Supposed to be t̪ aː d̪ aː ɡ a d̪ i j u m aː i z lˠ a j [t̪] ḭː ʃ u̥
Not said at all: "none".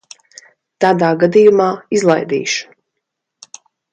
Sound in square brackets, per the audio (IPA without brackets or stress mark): d̪